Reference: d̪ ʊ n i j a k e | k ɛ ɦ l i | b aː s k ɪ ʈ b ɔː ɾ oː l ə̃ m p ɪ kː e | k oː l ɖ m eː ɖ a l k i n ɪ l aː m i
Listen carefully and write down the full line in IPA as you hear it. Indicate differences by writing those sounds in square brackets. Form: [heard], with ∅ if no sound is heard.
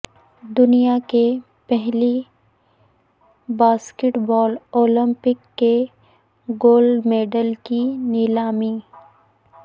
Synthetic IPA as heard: d̪ ʊ n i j a k e | [p] ɛ ɦ l i | b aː s k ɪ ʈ b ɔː [l] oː l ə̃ m p ɪ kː e | [ɡ] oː l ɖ m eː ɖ [ə] l k i n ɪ l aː m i

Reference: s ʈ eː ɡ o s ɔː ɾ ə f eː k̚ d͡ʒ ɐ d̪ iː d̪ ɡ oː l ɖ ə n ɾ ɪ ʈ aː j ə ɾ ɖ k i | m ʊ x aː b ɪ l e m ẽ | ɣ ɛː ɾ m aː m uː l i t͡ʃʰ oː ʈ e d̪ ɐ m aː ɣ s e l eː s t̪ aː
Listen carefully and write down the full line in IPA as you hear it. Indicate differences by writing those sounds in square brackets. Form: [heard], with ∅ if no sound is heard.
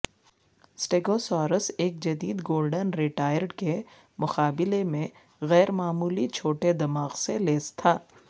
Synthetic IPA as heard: s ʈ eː ɡ o s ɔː ɾ ə [s] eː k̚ d͡ʒ ɐ d̪ iː d̪ ɡ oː l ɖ ə n ɾ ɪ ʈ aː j ə ɾ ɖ k [e] | m ʊ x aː b ɪ l e m ẽ | ɣ ɛː ɾ m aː m uː l i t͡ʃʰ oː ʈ e d̪ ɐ m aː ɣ s e l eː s [t̪ʰ] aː

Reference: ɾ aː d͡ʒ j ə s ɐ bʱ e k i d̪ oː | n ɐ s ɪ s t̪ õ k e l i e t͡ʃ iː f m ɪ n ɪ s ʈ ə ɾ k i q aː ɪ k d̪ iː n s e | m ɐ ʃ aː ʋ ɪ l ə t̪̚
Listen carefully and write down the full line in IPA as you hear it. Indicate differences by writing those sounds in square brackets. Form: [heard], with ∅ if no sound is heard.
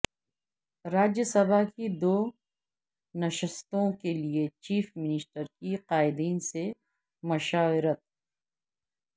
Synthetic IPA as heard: ɾ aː d͡ʒ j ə s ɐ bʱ [a] k i d̪ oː | n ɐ [ʃ] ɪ s t̪ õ k e l i e t͡ʃ iː f m ɪ n ɪ s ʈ ə ɾ k i q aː ɪ [∅] d̪ iː n s e | m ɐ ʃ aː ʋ ɪ [ɾ] ə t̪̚

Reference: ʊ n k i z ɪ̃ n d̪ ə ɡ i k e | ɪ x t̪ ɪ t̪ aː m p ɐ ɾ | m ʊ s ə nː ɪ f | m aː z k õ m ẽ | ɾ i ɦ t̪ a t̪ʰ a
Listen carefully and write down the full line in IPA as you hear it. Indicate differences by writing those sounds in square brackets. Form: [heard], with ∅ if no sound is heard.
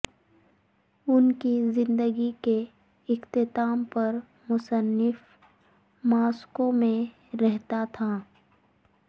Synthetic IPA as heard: ʊ n k i z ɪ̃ n d̪ ə ɡ i k e | ɪ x t̪ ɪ t̪ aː m p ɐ ɾ | m ʊ s ə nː ɪ f | m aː [s] k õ m ẽ | ɾ [ɛ] ɦ t̪ a t̪ʰ a

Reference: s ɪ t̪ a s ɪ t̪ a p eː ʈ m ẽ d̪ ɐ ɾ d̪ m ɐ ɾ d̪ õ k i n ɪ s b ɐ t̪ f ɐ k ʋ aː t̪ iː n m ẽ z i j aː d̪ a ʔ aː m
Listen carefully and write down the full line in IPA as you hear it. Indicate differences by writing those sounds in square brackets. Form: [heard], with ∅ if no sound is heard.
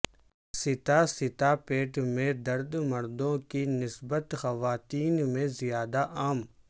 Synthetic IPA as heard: s ɪ t̪ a s ɪ t̪ a p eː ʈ m ẽ d̪ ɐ ɾ d̪ m ɐ ɾ d̪ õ k i n ɪ s b [ə] t̪ [x] ɐ [∅] ʋ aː t̪ iː n m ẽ z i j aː d̪ a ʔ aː m

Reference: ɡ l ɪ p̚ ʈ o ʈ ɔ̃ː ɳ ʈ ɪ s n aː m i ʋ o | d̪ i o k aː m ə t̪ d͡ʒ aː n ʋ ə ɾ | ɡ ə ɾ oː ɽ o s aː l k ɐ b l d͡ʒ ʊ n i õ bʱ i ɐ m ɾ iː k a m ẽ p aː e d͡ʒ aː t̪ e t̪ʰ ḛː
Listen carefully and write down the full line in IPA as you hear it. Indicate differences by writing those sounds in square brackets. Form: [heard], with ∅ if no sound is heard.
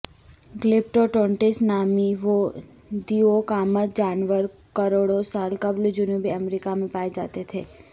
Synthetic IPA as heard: ɡ l ɪ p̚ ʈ o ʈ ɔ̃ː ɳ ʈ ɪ s n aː m i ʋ o | d̪ i o k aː m ə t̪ d͡ʒ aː n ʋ ə ɾ | [k] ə ɾ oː ɽ o s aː l k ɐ b l d͡ʒ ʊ n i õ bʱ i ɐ m ɾ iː k a m ẽ p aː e d͡ʒ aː t̪ e t̪ʰ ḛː

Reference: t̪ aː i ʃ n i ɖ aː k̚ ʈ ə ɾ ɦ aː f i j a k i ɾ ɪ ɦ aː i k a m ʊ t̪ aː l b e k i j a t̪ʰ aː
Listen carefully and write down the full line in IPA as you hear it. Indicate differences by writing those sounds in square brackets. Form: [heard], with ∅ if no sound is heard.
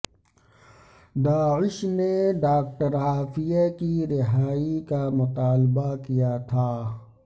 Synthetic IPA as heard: [d̪] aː [ɪ] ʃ n [e] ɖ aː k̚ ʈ ə ɾ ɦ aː f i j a k i ɾ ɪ ɦ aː i k a m ʊ t̪ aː l b [a] k i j a t̪ʰ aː

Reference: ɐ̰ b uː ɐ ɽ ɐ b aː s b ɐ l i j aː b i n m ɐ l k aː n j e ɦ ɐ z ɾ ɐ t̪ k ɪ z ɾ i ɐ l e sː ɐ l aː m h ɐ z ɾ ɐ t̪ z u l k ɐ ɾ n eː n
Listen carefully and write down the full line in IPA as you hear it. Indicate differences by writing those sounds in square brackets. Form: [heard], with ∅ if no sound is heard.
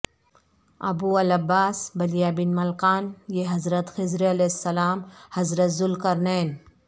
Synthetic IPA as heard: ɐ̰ b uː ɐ [l] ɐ b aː s b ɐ l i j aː b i n m ɐ l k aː n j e ɦ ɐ z ɾ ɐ t̪ [x] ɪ z ɾ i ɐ l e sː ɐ l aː m h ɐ z ɾ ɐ t̪ z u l k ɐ ɾ n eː n

